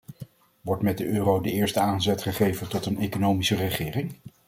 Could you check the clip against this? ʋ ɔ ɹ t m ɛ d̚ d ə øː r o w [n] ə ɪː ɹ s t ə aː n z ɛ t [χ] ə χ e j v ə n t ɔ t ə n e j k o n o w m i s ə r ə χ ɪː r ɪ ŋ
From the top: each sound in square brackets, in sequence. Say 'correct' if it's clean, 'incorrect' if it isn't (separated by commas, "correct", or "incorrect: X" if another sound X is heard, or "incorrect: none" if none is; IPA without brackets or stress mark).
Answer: incorrect: d, correct